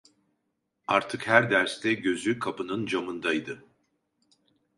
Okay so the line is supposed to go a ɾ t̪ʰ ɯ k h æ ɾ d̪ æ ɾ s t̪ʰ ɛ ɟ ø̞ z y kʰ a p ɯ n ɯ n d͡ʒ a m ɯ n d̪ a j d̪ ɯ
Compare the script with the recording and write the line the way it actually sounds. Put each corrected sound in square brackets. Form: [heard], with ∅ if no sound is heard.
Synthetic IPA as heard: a ɾ t̪ʰ ɯ k h æ ɾ d̪ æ ɾ s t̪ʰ ɛ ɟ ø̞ z y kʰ a p ɯ n ɯ n d͡ʒ a m ɯ n d̪ a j d̪ ɯ